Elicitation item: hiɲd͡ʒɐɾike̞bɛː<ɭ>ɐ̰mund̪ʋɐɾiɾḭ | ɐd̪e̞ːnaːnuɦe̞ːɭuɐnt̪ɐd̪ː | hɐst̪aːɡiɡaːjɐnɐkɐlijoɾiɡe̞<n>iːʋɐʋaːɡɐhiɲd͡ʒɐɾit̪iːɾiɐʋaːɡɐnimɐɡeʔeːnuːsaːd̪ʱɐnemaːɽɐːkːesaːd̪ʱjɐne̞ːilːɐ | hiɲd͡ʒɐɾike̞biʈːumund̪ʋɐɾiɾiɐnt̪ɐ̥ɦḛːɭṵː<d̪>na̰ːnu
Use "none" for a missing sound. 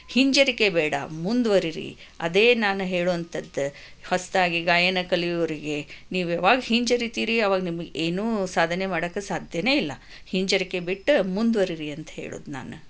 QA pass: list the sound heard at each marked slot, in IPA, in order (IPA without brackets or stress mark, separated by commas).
ɽ, n, d̪